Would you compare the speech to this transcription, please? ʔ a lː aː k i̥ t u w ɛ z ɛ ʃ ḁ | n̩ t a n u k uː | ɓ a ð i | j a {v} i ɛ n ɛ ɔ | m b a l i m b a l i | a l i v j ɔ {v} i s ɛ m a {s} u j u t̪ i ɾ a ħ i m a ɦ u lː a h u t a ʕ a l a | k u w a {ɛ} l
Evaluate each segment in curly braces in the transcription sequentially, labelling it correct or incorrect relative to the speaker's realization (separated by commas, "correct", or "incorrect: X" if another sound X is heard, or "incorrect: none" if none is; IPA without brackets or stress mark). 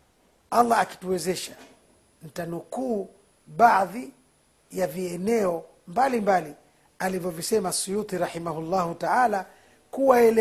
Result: correct, correct, correct, correct